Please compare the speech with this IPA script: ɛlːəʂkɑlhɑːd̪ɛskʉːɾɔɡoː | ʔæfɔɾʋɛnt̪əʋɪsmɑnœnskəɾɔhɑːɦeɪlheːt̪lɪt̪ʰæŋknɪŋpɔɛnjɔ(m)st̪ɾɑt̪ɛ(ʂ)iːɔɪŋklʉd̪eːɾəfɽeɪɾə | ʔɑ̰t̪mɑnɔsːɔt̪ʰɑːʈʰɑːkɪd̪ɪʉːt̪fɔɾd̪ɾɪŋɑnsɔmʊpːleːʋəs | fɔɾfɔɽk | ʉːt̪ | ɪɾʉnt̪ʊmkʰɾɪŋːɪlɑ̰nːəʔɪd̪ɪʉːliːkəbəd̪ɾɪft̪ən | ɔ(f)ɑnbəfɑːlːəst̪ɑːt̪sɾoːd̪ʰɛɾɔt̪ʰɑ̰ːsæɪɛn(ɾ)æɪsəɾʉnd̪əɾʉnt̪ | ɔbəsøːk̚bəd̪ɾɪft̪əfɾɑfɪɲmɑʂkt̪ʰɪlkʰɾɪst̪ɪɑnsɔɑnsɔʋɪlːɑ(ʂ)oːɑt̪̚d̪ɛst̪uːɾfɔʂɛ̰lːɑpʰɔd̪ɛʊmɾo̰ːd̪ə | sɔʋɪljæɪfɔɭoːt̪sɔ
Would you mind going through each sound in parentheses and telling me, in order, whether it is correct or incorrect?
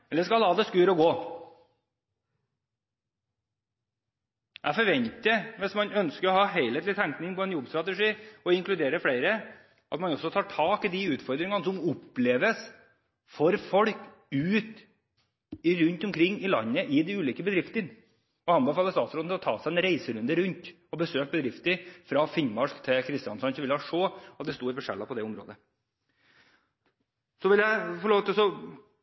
incorrect, correct, incorrect, correct, correct

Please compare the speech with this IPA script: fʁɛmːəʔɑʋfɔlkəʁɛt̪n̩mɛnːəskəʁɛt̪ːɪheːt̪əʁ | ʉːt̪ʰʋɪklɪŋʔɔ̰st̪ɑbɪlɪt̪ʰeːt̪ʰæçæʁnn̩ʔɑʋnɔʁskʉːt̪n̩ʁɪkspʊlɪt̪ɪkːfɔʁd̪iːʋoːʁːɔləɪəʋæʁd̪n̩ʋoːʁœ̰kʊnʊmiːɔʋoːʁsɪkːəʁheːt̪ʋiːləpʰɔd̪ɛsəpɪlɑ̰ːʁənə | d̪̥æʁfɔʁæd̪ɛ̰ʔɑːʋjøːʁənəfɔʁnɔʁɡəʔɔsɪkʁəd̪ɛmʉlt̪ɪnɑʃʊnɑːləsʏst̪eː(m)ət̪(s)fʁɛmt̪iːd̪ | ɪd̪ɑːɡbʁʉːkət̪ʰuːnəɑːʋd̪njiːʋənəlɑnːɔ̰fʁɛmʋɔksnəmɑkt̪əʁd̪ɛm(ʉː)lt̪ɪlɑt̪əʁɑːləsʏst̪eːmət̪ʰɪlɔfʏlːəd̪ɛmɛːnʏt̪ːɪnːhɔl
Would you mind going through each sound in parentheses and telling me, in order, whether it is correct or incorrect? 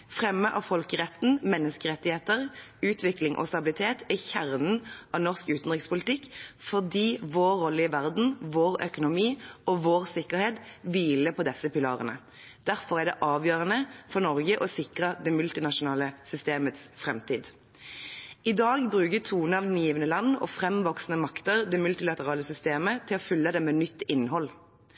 correct, correct, incorrect

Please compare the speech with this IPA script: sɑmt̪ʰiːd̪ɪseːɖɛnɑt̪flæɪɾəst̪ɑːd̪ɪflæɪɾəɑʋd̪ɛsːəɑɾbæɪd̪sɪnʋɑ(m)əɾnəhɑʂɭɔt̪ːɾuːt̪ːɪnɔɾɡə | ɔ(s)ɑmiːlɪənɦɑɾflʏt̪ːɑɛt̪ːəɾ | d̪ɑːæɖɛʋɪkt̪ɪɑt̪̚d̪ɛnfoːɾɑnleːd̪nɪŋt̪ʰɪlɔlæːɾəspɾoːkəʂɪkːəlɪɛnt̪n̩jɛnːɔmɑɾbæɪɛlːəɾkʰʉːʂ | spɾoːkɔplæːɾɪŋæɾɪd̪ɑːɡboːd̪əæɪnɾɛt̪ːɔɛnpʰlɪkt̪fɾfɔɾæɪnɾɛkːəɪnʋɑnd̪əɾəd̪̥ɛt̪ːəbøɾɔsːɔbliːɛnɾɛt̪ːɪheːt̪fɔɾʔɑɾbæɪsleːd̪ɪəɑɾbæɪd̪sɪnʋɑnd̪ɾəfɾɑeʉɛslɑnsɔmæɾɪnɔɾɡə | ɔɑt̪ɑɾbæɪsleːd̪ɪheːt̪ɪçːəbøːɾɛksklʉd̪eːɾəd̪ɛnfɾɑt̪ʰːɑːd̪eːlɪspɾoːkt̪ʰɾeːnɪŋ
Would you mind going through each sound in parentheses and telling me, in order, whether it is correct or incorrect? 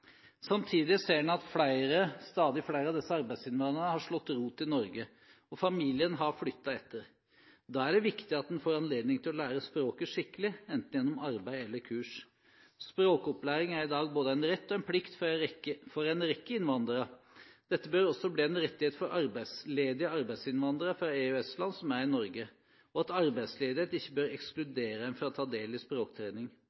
incorrect, incorrect

